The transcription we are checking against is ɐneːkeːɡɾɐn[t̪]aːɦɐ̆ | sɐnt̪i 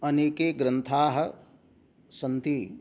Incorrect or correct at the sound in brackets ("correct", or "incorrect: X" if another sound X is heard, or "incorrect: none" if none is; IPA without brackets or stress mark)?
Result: incorrect: t̪ʰ